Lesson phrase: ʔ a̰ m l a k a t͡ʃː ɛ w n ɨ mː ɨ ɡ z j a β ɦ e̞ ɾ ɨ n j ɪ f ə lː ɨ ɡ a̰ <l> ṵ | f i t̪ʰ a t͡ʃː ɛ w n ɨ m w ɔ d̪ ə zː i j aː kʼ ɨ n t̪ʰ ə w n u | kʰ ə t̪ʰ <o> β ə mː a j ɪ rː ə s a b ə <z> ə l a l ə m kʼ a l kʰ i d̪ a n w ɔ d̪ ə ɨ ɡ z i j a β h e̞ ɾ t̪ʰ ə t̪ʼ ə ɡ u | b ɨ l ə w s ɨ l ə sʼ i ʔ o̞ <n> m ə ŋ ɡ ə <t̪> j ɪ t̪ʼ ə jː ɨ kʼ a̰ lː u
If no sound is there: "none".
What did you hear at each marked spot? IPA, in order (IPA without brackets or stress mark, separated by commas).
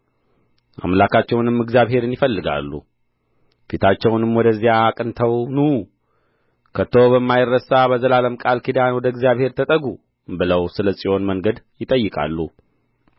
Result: lː, o, z, n, d̪